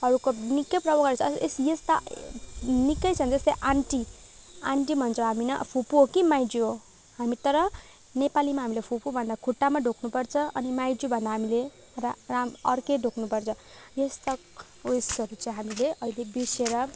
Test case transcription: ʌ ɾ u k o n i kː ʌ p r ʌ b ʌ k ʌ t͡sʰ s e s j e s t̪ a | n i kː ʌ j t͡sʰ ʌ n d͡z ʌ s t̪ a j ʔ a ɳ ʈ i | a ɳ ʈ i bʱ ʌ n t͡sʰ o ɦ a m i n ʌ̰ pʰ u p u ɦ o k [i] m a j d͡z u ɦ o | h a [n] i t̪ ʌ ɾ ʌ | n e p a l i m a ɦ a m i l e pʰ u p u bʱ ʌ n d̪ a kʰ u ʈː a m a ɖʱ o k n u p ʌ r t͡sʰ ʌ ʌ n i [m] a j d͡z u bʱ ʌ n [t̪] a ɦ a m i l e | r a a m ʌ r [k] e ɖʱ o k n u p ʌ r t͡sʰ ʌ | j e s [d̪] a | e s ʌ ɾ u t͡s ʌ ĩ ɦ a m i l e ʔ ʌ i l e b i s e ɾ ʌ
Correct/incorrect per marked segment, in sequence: correct, incorrect: m, correct, incorrect: d̪, correct, incorrect: t̪

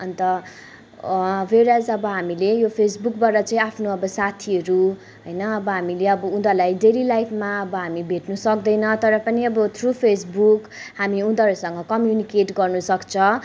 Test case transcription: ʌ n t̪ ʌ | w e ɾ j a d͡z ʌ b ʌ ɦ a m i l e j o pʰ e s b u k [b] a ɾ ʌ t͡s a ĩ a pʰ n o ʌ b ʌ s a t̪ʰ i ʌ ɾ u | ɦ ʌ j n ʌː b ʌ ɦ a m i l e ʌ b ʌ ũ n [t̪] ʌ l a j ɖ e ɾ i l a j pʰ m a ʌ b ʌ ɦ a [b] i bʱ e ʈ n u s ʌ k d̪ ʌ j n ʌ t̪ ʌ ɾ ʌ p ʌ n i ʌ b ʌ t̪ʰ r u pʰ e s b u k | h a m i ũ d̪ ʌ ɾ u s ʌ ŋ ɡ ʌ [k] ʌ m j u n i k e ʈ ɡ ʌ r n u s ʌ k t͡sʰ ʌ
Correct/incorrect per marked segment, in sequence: correct, incorrect: d̪, incorrect: m, correct

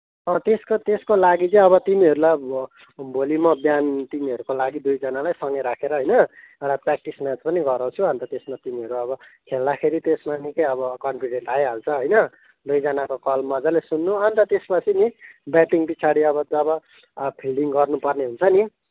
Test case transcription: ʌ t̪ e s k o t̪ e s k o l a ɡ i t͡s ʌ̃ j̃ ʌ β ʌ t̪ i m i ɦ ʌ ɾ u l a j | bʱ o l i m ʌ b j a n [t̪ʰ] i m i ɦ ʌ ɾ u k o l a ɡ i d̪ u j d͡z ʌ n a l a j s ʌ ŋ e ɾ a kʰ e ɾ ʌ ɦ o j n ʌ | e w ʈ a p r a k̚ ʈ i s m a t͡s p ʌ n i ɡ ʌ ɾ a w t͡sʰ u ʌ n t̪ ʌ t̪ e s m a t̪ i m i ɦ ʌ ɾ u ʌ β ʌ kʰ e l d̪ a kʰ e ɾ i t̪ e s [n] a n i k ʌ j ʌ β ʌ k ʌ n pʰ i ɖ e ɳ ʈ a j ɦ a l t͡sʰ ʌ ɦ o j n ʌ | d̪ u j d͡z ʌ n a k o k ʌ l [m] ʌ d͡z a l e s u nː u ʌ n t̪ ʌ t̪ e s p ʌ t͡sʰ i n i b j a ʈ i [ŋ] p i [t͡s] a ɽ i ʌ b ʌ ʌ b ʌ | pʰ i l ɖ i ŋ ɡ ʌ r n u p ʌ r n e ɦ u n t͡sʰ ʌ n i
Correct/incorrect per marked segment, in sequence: incorrect: t̪, incorrect: m, correct, correct, incorrect: t͡sʰ

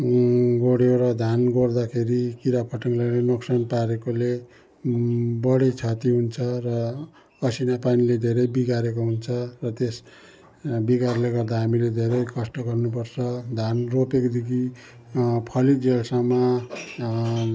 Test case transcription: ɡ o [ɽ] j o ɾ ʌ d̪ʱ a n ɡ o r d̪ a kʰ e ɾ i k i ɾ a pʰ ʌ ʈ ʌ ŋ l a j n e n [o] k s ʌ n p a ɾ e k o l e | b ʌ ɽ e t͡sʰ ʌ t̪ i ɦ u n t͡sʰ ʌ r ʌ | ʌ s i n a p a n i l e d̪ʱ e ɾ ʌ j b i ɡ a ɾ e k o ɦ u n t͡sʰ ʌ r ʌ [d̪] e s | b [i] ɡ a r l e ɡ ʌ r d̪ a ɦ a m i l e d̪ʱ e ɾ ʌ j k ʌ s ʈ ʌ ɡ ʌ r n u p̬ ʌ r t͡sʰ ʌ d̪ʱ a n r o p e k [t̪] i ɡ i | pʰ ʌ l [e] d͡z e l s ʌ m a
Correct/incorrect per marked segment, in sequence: correct, correct, incorrect: t̪, correct, incorrect: d̪, incorrect: i

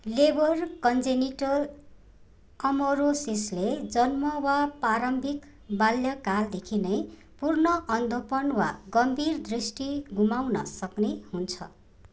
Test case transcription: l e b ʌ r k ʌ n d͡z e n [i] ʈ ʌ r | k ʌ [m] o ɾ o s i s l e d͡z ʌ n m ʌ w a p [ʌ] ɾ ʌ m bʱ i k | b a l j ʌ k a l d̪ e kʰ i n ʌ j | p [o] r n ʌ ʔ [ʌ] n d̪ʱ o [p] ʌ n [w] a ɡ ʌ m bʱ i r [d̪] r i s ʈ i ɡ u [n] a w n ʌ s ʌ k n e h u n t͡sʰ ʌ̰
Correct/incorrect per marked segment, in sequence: correct, correct, incorrect: a, incorrect: u, correct, correct, correct, correct, incorrect: m

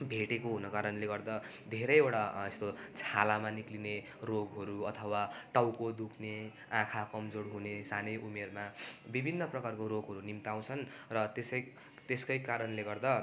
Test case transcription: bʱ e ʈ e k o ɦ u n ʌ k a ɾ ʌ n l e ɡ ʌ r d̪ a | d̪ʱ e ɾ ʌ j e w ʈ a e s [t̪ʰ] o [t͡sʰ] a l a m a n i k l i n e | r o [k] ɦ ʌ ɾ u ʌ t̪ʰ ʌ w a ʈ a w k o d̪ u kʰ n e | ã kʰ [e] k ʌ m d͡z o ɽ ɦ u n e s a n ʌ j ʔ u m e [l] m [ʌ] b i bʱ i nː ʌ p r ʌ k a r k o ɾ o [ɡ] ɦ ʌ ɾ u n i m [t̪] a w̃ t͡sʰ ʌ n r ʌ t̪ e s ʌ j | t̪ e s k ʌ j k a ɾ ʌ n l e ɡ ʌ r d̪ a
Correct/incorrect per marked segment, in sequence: incorrect: t̪, correct, incorrect: ɡ, incorrect: a, incorrect: r, incorrect: a, correct, correct

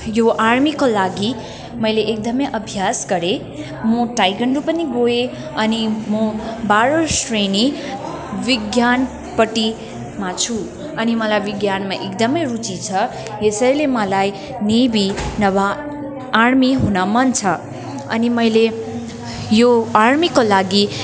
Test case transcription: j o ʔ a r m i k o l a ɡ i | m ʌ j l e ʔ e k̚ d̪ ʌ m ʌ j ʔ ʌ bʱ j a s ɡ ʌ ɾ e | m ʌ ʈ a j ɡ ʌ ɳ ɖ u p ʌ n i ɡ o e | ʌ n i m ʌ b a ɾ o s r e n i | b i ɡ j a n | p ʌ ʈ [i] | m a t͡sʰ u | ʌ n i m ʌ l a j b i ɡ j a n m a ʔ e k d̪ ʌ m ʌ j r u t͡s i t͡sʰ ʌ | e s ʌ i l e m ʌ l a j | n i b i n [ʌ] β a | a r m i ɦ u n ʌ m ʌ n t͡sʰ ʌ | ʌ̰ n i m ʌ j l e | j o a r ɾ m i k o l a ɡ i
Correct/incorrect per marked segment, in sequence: correct, correct

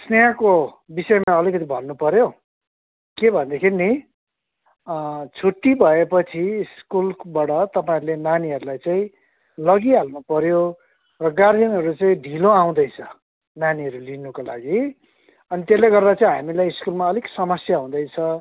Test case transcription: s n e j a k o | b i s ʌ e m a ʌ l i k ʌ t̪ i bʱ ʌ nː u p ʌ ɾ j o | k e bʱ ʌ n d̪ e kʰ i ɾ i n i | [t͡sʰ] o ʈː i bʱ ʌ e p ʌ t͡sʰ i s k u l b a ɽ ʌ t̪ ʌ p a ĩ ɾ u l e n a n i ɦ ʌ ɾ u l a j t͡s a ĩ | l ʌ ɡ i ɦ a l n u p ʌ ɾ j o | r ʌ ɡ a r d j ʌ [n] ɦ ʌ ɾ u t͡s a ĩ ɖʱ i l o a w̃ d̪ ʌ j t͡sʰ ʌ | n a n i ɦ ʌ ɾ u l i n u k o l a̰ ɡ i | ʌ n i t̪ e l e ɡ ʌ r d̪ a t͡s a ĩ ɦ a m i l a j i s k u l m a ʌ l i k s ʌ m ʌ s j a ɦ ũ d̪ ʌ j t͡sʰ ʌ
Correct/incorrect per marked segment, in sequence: correct, correct

